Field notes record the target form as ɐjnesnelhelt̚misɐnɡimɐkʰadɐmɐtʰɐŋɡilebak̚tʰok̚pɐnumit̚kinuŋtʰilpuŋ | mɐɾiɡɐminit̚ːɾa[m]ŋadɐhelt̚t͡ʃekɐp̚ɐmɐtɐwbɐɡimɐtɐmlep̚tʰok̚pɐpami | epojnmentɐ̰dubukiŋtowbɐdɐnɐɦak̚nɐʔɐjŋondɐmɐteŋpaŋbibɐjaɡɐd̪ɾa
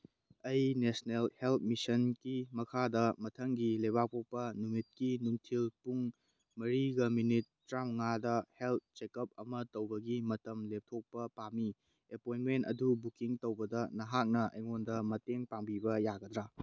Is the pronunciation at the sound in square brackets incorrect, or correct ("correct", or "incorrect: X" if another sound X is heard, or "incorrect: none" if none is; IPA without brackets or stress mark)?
correct